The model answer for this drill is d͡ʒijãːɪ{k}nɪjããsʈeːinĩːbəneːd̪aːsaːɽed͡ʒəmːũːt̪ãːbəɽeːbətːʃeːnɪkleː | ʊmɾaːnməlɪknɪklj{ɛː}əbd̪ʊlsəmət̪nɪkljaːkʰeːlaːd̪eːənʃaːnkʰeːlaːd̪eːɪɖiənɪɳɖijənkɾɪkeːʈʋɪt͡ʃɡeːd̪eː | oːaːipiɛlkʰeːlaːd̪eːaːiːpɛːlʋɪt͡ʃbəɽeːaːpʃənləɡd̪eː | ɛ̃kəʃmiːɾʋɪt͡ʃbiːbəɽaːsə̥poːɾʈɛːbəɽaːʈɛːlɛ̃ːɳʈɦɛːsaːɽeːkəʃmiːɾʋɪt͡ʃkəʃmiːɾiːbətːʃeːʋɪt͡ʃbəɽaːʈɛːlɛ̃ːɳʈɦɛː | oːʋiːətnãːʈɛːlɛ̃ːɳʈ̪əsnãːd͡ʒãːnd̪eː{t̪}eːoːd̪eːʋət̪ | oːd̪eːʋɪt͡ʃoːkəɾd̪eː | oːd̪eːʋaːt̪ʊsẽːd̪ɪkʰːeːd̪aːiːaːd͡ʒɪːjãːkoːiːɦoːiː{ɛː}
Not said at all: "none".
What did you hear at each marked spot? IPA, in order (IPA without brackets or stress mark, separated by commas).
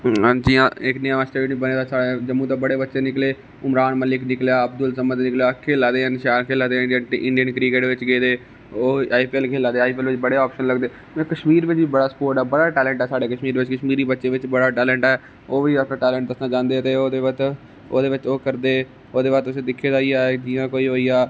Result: k, aː, t̪, aː